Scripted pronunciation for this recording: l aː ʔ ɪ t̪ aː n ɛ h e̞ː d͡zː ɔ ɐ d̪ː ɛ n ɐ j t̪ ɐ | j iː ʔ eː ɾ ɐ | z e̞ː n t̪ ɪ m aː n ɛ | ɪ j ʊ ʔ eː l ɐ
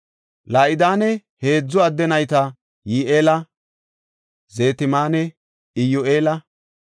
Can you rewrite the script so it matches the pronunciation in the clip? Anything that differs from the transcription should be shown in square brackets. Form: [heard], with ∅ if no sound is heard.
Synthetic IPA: l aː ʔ ɪ [d̪] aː n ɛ h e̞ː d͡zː ɔ ɐ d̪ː ɛ n ɐ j t̪ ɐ | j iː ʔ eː [l] ɐ | z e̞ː [∅] t̪ ɪ m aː n ɛ | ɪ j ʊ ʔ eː l ɐ